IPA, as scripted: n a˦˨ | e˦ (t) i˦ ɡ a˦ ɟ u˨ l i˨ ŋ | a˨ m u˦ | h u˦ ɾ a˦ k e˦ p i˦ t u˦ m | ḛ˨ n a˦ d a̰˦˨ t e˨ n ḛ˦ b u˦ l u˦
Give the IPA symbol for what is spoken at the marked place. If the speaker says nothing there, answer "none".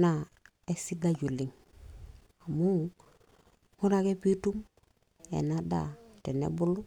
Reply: s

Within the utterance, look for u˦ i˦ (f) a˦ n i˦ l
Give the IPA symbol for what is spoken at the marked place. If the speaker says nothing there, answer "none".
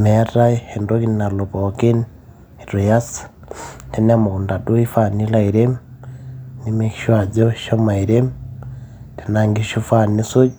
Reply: f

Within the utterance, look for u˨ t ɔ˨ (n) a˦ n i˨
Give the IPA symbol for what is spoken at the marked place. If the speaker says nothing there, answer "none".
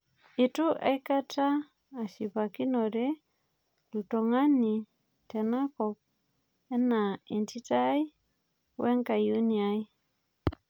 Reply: ŋ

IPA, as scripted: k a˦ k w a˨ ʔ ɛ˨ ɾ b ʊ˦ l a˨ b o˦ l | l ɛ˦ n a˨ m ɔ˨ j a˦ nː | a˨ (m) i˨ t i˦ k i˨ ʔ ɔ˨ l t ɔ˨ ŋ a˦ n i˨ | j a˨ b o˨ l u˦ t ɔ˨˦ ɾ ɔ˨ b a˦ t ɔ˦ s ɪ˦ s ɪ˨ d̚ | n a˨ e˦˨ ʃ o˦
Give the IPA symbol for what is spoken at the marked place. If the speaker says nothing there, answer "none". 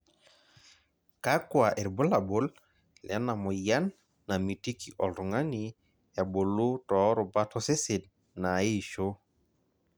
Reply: m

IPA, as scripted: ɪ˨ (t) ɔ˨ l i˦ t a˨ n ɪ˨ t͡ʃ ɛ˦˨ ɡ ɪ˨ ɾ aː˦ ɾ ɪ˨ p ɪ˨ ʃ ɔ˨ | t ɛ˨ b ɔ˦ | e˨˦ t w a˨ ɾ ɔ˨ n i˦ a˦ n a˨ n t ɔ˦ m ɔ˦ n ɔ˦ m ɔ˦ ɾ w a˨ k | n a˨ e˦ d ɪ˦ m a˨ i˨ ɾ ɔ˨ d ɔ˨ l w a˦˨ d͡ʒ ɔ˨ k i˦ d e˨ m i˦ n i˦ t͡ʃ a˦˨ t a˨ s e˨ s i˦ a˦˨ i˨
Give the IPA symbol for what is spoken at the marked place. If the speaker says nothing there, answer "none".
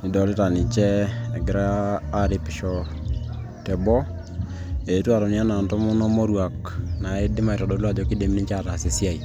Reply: d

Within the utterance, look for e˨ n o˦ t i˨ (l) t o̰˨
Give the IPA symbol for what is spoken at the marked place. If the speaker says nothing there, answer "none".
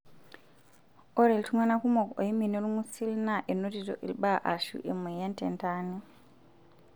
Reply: none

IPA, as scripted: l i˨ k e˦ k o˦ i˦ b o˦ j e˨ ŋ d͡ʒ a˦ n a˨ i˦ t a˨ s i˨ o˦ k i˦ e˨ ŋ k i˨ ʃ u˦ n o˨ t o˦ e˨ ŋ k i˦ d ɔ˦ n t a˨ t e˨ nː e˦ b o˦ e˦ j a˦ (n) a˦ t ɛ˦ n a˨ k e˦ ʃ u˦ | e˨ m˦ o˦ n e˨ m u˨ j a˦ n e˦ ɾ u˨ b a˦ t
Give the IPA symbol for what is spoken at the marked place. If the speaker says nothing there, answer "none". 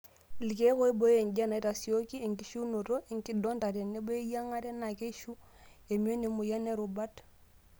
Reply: ŋ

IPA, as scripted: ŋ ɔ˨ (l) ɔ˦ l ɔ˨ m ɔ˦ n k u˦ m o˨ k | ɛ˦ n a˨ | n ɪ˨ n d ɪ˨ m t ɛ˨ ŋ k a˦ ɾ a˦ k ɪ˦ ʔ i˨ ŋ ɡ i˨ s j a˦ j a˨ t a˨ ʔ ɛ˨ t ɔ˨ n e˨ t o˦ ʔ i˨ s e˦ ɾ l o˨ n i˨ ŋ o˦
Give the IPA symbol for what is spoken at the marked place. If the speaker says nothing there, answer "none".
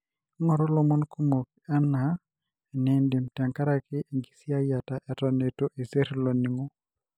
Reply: ɾ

